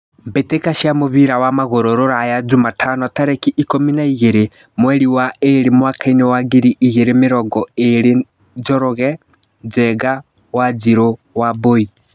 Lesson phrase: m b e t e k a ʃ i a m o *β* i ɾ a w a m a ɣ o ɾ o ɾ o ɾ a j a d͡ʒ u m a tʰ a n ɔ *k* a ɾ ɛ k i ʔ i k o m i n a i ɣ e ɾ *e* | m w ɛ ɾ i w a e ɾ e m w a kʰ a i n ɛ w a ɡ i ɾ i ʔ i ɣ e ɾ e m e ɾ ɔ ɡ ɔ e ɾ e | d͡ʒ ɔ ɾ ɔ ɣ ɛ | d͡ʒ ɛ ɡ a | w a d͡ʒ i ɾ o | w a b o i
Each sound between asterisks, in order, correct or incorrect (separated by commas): correct, incorrect, correct